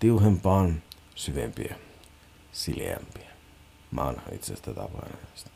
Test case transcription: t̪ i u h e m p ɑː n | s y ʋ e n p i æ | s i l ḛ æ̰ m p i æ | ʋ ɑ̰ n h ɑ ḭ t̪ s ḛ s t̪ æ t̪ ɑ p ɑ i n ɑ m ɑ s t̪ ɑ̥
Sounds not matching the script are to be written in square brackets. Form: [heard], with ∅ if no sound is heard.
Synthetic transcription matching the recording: t̪ i u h e m p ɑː n | s y ʋ e [m] p i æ | s i l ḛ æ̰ m p i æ | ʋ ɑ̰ n h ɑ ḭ t̪ s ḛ s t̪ æ t̪ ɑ p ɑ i n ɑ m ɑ s t̪ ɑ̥